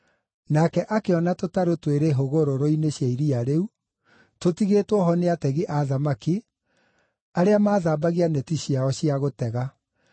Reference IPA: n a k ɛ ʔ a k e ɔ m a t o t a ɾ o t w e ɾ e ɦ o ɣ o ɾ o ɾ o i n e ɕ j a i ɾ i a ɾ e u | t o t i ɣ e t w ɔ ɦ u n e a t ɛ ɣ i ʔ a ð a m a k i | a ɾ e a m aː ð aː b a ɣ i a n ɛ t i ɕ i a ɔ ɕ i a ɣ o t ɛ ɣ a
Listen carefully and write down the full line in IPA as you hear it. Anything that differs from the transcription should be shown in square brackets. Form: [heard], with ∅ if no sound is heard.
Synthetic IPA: n a k ɛ ʔ a k e ɔ [n] a t o t a ɾ o t w e ɾ e ɦ o ɣ o ɾ o ɾ o i n e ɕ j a i ɾ i a ɾ e u | t o t i ɣ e t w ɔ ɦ [ɔ] n e a t ɛ ɣ i ʔ a ð a m a k i | a ɾ e a m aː ð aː b a ɣ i a n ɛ t i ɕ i a ɔ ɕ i a ɣ o t ɛ ɣ a